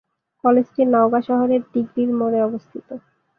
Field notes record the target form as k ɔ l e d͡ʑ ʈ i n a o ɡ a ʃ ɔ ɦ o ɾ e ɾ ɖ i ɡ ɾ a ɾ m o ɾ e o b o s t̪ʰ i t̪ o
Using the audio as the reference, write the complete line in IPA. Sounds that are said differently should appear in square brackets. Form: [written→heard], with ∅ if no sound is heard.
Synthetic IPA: k ɔ l e d͡ʑ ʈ i n a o ɡ a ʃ ɔ ɦ o ɾ e ɾ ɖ i ɡ ɾ [a→i] ɾ m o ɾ e [o→ɔ] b o s t̪ʰ i t̪ o